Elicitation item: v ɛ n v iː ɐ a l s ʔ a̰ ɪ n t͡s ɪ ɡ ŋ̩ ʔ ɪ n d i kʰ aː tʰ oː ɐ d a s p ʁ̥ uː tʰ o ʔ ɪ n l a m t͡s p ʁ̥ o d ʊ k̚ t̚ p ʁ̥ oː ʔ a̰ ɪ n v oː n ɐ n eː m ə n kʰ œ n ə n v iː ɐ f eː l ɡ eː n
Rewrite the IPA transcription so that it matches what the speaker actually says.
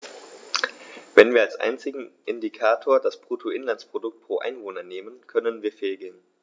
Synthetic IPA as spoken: v ɛ n v iː ɐ a l s ʔ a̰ ɪ n t͡s ɪ ɡ ŋ̩ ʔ ɪ n d i kʰ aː tʰ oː ɐ d a s p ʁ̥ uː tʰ o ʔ ɪ n l a n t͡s p ʁ̥ o d ʊ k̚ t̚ p ʁ̥ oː ʔ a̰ ɪ n v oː n ɐ n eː m ə n kʰ œ n ə n v iː ɐ f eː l ɡ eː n